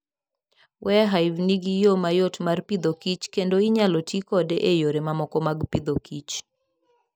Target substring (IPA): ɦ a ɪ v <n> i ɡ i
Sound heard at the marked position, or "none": n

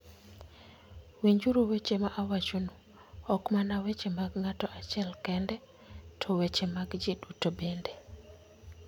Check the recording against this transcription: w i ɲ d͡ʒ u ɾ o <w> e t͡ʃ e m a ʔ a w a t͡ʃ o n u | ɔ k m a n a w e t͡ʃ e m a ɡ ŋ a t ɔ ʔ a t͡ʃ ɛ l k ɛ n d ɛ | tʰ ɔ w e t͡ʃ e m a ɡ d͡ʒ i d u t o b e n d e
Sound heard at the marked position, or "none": w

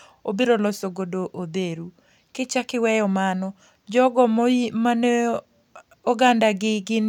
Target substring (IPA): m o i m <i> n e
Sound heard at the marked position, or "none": a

